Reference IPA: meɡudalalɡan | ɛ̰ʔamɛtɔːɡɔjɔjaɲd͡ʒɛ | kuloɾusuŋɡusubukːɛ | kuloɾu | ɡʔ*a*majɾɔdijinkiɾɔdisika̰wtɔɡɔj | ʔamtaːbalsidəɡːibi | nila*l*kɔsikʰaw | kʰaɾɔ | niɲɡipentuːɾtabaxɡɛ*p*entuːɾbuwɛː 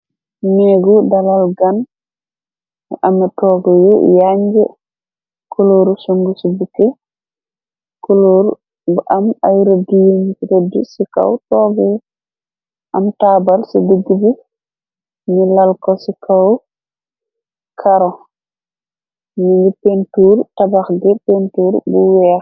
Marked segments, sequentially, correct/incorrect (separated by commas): correct, correct, correct